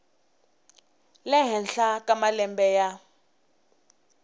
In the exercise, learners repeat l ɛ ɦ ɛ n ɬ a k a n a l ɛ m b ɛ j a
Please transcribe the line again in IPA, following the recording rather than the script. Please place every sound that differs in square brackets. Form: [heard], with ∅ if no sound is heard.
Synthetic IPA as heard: l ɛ ɦ ɛ n ɬ a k a [m] a l ɛ m b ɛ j a